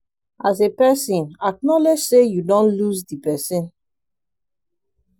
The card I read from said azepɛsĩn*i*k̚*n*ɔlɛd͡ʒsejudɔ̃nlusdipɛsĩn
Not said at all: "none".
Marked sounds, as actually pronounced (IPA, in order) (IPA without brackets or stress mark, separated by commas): a, n